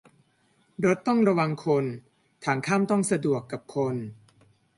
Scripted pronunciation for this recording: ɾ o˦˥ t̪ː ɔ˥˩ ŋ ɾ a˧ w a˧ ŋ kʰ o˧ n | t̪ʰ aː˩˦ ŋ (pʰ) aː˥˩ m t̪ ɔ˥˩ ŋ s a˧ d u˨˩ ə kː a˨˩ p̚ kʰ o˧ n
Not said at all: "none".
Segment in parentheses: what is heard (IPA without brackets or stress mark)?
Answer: kʰ